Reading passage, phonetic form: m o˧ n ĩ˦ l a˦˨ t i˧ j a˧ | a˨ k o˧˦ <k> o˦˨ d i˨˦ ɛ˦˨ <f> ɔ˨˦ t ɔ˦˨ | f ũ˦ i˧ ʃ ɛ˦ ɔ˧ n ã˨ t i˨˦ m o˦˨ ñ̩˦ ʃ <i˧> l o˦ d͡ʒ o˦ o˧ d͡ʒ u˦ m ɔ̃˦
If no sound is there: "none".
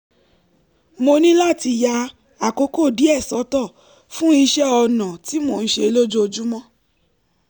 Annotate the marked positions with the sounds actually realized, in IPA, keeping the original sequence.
k, s, e˧

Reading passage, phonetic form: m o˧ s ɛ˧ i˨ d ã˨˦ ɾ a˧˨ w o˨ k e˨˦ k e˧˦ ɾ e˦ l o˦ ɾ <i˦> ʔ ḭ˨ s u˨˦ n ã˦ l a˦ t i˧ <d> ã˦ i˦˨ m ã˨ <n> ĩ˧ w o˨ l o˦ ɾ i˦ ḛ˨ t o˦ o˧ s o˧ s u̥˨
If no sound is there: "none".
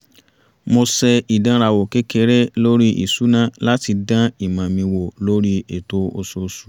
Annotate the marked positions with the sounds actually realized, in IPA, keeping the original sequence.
i˦, d, m

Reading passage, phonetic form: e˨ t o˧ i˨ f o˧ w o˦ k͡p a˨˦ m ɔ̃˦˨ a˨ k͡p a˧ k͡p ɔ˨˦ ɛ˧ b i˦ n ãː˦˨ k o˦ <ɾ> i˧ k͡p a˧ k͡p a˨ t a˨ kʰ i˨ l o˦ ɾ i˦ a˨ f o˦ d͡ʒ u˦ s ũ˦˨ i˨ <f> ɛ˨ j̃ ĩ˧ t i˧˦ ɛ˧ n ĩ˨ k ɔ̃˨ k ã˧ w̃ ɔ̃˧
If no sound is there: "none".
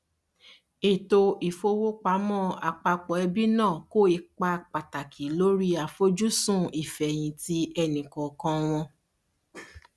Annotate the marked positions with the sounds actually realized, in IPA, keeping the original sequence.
none, f

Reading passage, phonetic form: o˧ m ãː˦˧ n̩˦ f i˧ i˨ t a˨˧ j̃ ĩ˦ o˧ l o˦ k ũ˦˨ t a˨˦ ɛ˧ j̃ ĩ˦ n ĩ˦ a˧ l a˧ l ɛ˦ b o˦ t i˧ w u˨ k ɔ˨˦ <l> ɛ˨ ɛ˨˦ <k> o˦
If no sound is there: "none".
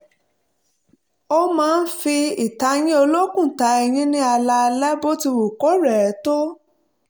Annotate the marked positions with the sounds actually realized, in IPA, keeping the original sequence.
ɾ, t

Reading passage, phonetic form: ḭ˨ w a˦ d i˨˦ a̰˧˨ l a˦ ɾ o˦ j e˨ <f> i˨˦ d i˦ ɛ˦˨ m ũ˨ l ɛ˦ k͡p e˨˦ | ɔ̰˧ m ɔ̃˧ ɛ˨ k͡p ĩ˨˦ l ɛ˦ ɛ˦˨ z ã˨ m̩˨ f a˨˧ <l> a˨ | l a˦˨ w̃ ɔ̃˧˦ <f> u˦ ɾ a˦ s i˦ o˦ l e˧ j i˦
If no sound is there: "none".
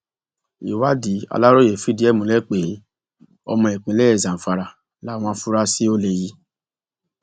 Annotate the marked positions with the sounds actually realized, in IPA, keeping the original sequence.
f, ɾ, f

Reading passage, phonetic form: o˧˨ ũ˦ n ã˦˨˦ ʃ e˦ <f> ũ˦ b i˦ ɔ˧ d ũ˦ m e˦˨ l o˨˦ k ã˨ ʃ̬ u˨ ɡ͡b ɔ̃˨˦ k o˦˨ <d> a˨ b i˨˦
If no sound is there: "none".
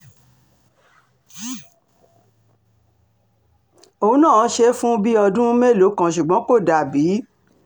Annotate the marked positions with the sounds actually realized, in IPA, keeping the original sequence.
f, d

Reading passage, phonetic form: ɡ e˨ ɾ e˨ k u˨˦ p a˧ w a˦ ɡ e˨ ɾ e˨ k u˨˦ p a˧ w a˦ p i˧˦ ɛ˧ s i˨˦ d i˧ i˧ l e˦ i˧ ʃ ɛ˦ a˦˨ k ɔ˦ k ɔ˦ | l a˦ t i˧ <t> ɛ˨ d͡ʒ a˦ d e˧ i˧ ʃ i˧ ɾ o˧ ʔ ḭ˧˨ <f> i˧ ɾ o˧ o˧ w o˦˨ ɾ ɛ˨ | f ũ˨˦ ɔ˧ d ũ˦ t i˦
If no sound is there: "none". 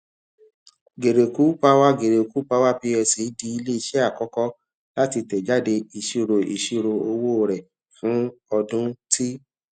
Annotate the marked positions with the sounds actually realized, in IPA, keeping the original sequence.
t, ʃ

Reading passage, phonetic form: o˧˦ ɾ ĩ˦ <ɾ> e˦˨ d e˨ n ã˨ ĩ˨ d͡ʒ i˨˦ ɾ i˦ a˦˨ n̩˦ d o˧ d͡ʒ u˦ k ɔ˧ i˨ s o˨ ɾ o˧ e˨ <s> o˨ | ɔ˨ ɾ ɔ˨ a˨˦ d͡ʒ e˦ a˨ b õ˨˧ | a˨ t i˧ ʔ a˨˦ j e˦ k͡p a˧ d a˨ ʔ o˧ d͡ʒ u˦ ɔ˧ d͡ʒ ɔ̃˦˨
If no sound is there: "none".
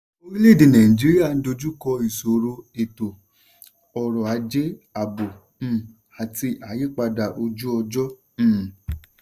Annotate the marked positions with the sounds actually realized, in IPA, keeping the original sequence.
l, t

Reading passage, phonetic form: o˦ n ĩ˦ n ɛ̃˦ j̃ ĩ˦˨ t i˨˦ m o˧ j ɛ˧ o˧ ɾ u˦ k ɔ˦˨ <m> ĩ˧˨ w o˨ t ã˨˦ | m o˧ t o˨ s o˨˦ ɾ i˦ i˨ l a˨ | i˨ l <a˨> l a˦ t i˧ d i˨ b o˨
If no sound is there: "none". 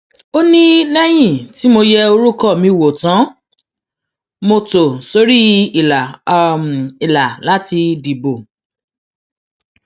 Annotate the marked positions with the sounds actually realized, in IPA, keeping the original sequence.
m, a˨

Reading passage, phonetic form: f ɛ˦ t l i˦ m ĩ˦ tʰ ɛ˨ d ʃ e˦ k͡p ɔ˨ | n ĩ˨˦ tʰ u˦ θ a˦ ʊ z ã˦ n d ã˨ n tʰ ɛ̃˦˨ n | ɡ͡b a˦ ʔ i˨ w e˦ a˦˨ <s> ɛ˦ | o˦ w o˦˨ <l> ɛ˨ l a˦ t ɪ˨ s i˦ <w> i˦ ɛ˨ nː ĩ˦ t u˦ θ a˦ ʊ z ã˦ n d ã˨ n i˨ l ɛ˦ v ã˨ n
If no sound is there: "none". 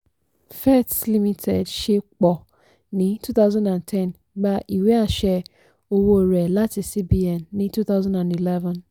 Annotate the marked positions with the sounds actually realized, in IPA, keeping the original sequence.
ʃ, ɾ, b

